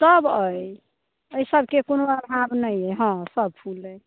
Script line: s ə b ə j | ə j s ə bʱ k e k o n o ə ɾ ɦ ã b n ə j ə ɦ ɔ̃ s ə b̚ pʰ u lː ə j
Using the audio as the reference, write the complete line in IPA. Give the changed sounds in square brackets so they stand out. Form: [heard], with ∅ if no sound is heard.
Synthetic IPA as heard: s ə b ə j | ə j s ə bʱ k e k o n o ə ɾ ɦ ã b n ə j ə ɦ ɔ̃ s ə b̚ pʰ u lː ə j